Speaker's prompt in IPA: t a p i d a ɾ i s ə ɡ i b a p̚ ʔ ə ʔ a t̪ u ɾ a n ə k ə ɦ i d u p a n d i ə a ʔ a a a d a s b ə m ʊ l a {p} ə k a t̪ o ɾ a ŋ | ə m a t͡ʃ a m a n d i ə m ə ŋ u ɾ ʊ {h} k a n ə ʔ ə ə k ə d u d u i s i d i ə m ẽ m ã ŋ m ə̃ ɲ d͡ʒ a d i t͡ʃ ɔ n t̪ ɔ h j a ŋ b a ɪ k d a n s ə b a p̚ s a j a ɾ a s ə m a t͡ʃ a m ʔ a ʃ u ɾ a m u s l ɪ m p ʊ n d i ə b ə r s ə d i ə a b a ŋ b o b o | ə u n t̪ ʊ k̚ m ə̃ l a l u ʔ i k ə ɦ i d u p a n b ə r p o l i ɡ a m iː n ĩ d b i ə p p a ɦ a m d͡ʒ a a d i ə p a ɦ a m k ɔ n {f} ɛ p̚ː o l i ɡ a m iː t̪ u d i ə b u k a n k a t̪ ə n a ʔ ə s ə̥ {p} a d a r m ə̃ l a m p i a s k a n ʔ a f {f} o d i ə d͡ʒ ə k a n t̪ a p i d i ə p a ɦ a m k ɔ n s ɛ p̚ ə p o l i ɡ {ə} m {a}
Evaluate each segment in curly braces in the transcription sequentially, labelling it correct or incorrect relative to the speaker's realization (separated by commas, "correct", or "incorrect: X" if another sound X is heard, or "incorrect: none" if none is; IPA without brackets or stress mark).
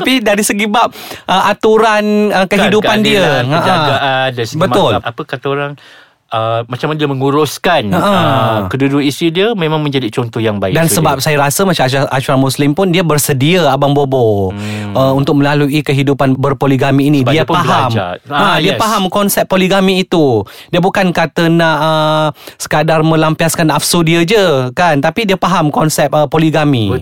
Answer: correct, incorrect: s, incorrect: s, incorrect: k, incorrect: s, incorrect: a, incorrect: i